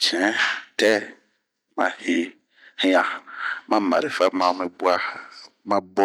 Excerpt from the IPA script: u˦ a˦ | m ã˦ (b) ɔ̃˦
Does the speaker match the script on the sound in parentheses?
yes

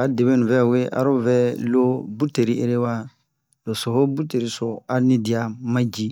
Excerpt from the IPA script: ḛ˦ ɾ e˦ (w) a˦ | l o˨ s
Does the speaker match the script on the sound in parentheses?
yes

